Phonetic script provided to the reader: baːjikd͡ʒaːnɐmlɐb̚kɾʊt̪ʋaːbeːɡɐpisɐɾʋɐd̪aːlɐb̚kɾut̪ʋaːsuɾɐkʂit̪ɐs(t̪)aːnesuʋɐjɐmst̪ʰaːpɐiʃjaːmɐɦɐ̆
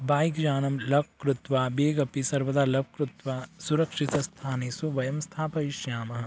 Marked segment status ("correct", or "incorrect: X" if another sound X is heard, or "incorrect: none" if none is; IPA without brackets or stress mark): incorrect: t̪ʰ